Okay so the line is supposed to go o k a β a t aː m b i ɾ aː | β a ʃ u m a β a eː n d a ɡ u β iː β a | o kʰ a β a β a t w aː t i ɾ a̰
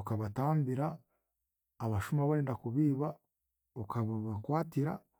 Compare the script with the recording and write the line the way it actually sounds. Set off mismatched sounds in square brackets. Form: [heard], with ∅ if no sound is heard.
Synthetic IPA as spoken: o k a β a t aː m b i ɾ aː | β a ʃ u m a β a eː n d a [k] u β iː β a | o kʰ a β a β a [k] w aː t i ɾ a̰